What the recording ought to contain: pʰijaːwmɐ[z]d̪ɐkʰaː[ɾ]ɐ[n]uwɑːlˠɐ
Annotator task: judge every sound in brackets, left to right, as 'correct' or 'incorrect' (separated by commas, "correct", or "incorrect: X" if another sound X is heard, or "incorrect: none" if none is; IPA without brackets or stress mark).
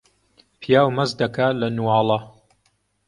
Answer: correct, incorrect: l, correct